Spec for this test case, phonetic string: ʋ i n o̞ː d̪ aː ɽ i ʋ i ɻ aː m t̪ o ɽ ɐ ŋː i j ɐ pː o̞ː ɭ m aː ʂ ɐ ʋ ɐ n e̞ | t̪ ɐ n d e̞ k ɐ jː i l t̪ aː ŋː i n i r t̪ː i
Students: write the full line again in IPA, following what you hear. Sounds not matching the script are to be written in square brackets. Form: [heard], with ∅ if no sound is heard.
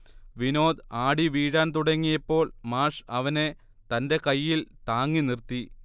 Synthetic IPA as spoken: ʋ i n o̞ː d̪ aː ɽ i ʋ [iː] ɻ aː [n] t̪ [u] ɽ ɐ ŋː i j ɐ pː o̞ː ɭ m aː ʂ ɐ ʋ ɐ n e̞ | t̪ ɐ n d e̞ k ɐ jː i l t̪ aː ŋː i n i r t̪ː i